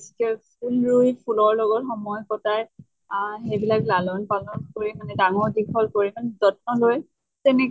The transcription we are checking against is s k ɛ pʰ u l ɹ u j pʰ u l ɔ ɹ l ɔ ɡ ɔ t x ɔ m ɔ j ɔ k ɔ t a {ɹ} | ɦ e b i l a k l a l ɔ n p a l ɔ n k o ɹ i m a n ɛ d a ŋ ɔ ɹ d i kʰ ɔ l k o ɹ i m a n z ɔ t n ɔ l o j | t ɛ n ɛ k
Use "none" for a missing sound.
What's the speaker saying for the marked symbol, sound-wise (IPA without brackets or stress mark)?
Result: ɹ